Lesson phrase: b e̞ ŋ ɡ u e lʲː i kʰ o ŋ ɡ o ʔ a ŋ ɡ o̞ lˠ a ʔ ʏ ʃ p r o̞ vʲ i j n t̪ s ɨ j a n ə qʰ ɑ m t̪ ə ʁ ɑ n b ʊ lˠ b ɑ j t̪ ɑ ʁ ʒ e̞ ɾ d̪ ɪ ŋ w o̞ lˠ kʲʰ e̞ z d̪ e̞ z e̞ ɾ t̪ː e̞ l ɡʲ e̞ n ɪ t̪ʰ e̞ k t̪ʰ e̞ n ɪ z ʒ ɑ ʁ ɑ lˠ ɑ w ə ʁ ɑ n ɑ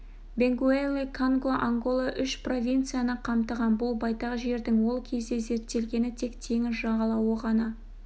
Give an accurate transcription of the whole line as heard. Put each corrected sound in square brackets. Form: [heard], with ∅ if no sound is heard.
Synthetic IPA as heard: b e̞ ŋ ɡ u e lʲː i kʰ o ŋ ɡ o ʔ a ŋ ɡ o̞ lˠ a ʔ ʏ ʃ p r o̞ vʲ i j n t̪ s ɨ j a n ə qʰ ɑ m t̪ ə ʁ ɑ n b ʊ lˠ b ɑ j t̪ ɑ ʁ ʒ e̞ ɾ d̪ ɪ ŋ w o̞ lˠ kʲʰ e̞ z d̪ e̞ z e̞ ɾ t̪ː e̞ l ɡʲ e̞ n ɪ t̪ʰ e̞ k t̪ʰ e̞ [ŋ] ɪ z ʒ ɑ ʁ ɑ lˠ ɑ w ə ʁ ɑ n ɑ